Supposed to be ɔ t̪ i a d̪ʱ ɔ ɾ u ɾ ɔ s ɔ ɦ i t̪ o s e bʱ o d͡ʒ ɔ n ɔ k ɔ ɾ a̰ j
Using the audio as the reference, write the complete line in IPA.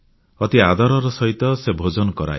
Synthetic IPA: ɔ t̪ i a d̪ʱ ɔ ɾ ɔ ɾ ɔ s ɔ ɦ i t̪ ɔ s e bʱ o d͡ʒ ɔ n ɔ k ɔ ɾ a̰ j